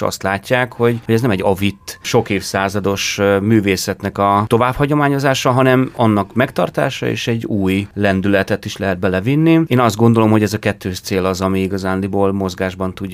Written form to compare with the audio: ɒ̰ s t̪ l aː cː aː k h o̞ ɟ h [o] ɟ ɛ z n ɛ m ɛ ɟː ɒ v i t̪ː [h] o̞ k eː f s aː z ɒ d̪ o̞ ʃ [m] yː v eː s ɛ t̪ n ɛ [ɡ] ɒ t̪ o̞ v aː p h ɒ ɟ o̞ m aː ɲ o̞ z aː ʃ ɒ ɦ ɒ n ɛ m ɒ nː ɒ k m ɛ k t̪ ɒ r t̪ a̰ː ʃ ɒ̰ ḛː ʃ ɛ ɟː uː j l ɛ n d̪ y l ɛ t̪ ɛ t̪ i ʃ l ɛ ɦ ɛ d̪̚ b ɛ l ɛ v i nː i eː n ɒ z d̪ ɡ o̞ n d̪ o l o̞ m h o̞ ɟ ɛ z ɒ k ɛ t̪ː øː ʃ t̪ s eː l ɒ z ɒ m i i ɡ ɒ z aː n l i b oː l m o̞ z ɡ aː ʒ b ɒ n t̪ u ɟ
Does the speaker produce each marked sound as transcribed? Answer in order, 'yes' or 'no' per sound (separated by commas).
yes, no, yes, no